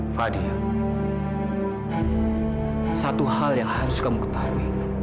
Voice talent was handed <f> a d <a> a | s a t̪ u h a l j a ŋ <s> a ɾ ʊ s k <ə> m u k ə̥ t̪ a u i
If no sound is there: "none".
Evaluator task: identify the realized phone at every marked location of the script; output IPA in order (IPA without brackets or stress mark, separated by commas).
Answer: f, i, h, a